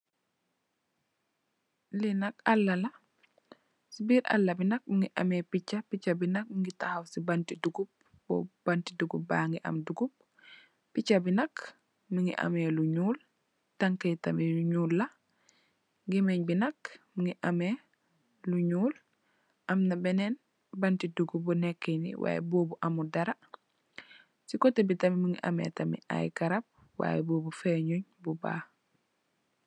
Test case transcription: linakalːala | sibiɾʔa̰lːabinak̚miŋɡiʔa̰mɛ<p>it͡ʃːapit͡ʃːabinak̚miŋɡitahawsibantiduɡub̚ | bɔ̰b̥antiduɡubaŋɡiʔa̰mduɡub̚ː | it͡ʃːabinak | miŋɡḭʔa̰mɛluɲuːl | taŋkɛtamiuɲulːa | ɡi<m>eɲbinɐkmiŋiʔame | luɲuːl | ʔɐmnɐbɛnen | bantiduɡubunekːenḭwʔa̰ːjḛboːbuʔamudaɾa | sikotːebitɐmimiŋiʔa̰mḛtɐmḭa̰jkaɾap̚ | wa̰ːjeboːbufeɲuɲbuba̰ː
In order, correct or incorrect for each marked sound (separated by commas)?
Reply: correct, correct